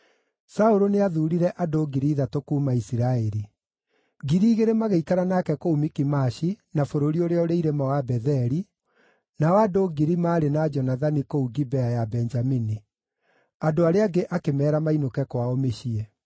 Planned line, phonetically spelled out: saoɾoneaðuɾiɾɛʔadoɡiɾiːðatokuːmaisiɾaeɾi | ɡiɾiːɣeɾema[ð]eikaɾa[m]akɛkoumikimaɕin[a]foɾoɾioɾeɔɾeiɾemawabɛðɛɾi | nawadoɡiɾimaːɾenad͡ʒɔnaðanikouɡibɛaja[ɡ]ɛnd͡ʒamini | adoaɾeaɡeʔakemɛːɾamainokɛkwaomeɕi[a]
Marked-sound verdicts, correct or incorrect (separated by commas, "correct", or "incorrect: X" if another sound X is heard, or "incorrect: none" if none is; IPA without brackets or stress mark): incorrect: ɣ, incorrect: n, correct, incorrect: b, incorrect: ɛ